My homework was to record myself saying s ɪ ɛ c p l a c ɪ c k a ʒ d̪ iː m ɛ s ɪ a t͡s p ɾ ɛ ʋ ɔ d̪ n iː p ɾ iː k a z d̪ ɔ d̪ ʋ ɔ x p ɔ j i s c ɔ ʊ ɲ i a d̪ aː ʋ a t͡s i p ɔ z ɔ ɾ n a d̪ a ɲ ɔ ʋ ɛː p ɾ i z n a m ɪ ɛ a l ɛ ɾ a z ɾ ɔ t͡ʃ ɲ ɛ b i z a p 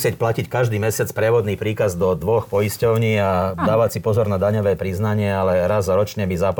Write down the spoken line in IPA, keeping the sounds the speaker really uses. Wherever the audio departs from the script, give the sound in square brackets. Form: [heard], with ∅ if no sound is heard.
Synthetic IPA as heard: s ɪ ɛ c p l a c [i] c k a ʒ d̪ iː m ɛ s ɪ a t͡s p ɾ ɛ ʋ ɔ d̪ n iː p ɾ iː k a z d̪ ɔ d̪ ʋ ɔ x p ɔ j i s c ɔ ʊ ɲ [iː] a d̪ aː ʋ a t͡s i p ɔ z ɔ ɾ n a d̪ a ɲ ɔ ʋ ɛː p ɾ i z n a [ɲ] ɪ ɛ a l ɛ ɾ a z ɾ ɔ t͡ʃ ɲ ɛ b i z a p